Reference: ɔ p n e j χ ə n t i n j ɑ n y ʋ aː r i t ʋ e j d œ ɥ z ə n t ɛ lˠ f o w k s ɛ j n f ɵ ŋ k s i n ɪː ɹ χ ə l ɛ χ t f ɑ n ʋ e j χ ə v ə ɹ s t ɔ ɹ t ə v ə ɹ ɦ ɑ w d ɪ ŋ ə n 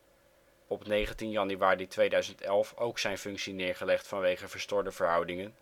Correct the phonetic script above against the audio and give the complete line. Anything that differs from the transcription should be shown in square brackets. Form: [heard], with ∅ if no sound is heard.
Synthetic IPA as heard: ɔ p n e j χ ə n t i n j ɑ n y ʋ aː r i t ʋ e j d œ ɥ z ə n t ɛ lˠ f o w k s ɛ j n f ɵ ŋ k s i n ɪː ɹ χ ə l ɛ χ t f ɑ n ʋ e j χ ə v ə ɹ s t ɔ ɹ [d] ə v ə ɹ ɦ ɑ w d ɪ ŋ ə n